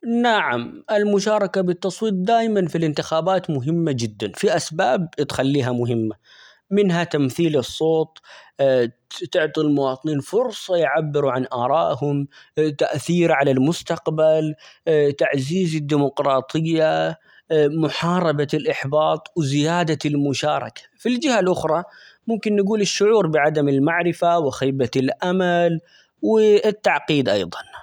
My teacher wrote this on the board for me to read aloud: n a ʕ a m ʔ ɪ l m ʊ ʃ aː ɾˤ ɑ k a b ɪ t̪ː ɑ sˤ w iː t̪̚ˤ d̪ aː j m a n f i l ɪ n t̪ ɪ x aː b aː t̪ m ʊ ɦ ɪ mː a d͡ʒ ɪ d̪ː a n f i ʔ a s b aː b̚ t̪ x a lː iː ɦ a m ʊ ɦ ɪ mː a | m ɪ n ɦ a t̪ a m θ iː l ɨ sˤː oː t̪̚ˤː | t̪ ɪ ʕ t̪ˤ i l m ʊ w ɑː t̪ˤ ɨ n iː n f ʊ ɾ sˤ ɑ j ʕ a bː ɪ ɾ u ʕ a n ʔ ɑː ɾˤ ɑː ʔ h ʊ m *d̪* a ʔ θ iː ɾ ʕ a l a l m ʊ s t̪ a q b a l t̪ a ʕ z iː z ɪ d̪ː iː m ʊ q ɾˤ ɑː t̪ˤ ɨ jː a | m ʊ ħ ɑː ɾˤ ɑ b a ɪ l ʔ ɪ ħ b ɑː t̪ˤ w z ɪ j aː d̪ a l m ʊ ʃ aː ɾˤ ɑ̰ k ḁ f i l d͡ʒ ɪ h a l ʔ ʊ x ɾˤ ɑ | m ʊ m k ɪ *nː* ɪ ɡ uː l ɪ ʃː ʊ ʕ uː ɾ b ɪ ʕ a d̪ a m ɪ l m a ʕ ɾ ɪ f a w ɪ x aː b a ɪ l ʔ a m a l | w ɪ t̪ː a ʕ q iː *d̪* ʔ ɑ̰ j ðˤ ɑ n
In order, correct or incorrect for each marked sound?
incorrect, correct, correct

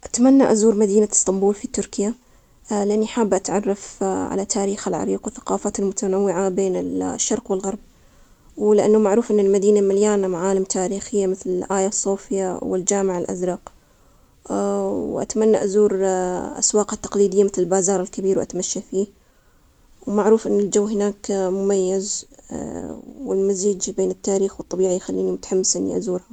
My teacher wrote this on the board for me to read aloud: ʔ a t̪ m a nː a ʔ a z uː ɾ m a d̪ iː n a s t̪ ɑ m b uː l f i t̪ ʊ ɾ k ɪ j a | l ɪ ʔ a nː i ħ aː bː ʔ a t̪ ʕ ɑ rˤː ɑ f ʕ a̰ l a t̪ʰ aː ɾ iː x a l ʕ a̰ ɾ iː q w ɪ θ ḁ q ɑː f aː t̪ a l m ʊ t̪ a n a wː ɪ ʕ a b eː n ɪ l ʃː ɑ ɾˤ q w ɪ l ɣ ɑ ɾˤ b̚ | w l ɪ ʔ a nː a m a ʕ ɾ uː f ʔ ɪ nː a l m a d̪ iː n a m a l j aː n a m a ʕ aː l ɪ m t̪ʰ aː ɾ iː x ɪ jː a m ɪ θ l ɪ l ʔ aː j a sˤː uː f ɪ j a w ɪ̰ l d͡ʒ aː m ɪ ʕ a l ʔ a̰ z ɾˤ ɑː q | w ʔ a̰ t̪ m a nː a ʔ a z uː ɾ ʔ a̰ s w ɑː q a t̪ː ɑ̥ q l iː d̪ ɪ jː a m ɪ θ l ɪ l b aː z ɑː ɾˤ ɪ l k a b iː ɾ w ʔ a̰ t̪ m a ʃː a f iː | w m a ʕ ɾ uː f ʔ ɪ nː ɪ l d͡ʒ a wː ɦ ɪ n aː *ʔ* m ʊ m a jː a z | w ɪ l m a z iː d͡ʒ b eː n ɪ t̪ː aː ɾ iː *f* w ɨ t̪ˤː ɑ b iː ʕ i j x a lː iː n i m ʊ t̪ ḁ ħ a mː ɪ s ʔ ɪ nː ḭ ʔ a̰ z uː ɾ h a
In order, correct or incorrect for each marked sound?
incorrect, incorrect

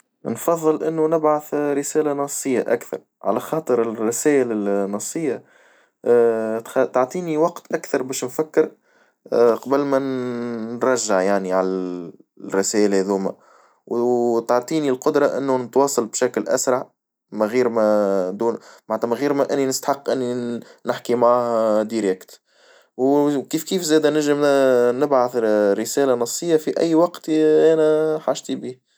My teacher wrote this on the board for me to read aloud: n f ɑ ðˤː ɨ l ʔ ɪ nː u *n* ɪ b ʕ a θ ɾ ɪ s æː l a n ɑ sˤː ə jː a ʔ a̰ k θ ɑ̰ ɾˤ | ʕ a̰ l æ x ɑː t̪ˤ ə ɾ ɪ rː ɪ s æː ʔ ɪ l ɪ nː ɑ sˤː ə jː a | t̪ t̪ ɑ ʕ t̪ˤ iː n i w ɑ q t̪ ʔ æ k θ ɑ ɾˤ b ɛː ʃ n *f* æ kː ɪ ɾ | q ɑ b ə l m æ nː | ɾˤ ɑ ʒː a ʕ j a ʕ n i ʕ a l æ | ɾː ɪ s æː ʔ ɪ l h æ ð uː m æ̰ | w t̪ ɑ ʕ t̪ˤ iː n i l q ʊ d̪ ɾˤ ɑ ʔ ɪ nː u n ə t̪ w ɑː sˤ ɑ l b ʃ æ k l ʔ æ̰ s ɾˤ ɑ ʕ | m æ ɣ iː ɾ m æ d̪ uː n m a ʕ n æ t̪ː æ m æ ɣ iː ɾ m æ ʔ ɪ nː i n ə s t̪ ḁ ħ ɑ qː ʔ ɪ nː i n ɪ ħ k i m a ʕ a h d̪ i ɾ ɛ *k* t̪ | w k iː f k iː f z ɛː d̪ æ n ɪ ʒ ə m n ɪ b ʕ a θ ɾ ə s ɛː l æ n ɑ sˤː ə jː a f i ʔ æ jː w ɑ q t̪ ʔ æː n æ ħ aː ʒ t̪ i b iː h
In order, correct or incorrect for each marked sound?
correct, correct, correct

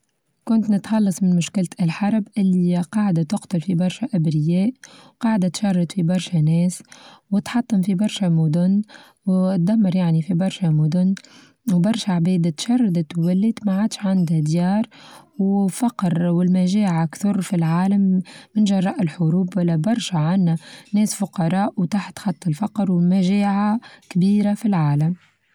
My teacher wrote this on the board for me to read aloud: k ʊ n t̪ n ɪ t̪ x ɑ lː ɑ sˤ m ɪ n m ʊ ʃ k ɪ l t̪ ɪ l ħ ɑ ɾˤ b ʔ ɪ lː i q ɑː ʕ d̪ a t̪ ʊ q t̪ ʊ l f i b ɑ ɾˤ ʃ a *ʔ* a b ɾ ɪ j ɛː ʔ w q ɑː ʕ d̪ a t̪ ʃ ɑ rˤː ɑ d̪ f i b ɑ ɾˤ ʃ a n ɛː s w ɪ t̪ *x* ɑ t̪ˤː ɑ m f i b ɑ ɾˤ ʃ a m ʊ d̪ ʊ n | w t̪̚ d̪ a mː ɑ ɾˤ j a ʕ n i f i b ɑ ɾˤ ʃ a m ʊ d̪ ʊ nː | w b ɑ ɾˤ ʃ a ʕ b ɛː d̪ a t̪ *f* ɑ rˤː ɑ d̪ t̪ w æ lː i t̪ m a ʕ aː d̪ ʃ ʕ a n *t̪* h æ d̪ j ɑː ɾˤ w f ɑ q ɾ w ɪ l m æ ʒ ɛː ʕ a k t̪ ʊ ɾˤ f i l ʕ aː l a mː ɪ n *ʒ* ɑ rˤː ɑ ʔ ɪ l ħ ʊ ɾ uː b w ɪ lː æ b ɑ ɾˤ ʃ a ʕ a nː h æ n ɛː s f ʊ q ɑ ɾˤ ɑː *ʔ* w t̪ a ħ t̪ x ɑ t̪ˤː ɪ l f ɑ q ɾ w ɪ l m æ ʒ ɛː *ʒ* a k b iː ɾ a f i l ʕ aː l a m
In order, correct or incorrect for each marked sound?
correct, incorrect, incorrect, incorrect, correct, correct, incorrect

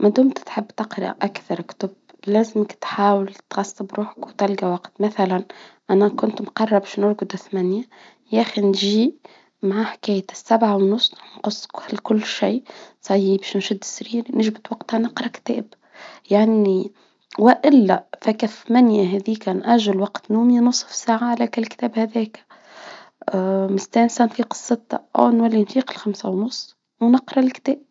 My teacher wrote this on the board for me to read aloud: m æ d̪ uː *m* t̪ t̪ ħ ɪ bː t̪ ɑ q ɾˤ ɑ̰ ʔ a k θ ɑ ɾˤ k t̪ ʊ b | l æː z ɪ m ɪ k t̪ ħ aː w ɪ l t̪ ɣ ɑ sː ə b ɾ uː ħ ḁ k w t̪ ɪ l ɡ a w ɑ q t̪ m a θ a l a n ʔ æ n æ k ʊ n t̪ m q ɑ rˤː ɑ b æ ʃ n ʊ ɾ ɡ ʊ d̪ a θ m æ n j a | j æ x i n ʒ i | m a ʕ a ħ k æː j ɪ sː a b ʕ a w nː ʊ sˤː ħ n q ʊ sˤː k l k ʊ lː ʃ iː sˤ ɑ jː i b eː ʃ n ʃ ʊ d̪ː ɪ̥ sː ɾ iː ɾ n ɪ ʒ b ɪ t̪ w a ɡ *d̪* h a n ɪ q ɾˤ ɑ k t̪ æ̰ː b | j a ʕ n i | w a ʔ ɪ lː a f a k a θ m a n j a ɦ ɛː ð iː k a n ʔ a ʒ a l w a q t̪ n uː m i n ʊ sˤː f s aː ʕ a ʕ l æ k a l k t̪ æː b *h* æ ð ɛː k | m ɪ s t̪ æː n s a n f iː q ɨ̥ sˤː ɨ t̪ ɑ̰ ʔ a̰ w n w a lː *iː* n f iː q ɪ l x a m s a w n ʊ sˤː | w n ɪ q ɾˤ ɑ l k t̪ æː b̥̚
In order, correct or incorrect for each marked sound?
correct, incorrect, correct, incorrect

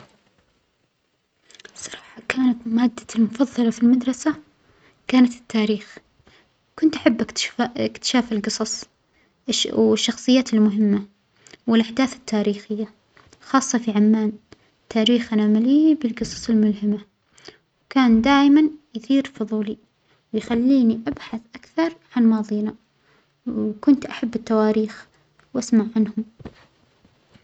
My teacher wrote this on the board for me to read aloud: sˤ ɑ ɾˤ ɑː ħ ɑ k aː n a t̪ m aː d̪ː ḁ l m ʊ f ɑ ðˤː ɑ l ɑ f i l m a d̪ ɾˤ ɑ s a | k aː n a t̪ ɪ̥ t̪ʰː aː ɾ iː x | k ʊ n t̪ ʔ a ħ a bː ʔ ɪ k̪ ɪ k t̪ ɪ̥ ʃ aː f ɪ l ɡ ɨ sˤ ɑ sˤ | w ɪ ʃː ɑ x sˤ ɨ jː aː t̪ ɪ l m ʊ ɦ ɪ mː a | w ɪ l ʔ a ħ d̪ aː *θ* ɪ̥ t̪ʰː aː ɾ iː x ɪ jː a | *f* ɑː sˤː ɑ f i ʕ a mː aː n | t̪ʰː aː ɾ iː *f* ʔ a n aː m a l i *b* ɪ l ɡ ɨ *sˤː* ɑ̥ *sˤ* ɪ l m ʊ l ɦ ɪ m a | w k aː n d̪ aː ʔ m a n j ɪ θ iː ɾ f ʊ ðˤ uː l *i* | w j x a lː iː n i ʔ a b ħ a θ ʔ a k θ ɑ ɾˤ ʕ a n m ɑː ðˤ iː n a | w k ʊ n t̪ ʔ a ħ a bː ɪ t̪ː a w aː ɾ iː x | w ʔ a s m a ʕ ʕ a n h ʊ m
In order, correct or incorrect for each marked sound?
correct, incorrect, incorrect, correct, incorrect, correct, correct

